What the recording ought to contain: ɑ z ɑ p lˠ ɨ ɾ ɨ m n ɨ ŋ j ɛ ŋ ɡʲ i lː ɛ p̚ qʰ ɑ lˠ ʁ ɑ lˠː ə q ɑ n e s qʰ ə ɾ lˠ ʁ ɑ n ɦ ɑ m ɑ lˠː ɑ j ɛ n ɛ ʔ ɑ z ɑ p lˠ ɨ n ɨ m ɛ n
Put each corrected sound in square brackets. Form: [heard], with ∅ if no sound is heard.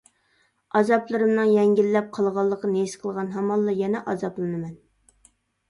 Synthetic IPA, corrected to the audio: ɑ z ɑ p lˠ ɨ ɾ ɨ m n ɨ ŋ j ɛ ŋ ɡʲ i lː ɛ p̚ qʰ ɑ lˠ ʁ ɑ lˠː ə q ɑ n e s qʰ ə [∅] lˠ ʁ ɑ n ɦ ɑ m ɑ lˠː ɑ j ɛ n ɛ ʔ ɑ z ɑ p lˠ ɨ n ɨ m ɛ n